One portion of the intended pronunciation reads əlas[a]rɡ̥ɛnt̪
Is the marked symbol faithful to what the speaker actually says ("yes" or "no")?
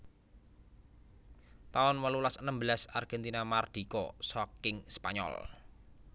yes